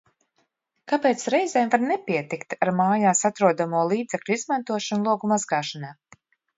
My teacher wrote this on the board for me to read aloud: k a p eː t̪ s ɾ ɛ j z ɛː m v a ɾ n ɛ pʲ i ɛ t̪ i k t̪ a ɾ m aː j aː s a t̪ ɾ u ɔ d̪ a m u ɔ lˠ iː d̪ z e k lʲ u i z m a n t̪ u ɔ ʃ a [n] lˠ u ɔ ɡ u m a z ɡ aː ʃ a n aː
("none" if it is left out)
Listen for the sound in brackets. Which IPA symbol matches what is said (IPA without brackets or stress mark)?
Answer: n